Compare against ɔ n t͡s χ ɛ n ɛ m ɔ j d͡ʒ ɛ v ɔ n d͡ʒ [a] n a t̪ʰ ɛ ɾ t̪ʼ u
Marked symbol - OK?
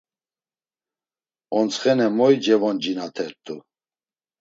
no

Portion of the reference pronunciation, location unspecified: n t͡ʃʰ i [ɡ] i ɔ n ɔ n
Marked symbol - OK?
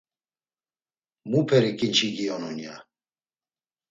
yes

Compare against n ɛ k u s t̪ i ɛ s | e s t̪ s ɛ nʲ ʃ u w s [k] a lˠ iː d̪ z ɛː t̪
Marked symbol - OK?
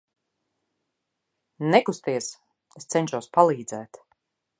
no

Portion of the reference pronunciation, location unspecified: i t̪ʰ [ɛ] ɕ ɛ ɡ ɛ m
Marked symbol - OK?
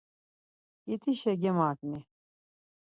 no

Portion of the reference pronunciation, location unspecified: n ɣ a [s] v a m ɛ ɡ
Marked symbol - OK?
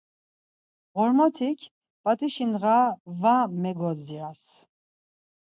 no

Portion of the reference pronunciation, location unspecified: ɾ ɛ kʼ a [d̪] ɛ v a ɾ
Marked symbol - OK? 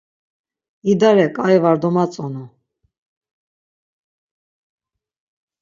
no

